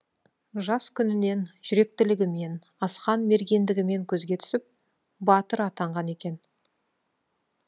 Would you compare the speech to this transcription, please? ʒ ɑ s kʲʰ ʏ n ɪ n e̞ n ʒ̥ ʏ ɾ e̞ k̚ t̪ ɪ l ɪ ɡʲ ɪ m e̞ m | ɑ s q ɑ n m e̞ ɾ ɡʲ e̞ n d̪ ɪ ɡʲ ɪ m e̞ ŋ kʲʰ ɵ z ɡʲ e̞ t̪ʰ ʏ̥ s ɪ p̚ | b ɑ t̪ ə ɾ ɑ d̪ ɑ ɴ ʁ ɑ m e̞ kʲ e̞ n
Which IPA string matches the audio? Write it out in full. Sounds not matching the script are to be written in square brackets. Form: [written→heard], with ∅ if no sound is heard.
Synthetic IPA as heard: ʒ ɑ s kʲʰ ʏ n ɪ n e̞ n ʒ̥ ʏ ɾ e̞ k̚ t̪ ɪ l ɪ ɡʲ ɪ m e̞ [m→n] | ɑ s q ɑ n m e̞ ɾ ɡʲ e̞ n d̪ ɪ ɡʲ ɪ m e̞ ŋ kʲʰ ɵ z ɡʲ e̞ t̪ʰ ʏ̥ s ɪ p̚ | b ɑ t̪ ə ɾ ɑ [d̪→t̪] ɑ ɴ ʁ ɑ [m→n] e̞ kʲ e̞ n